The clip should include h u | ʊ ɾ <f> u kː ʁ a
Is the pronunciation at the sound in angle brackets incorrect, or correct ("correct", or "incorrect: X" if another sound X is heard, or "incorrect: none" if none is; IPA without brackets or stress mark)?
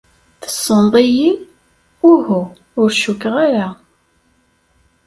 incorrect: ʃ